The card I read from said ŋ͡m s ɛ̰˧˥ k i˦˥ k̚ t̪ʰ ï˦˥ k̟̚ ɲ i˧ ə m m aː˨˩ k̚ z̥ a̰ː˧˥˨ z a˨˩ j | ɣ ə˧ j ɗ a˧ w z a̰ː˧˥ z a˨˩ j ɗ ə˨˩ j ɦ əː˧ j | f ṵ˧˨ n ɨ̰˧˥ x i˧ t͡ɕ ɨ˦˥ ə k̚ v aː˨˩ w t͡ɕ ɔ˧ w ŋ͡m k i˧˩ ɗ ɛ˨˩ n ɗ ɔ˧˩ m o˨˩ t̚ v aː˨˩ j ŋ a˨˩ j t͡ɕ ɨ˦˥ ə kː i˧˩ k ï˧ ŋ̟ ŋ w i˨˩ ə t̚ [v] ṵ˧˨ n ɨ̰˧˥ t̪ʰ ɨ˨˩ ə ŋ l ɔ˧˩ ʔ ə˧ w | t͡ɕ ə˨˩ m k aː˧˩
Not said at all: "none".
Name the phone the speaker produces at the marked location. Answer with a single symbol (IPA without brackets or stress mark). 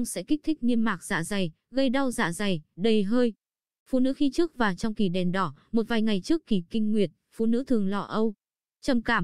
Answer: f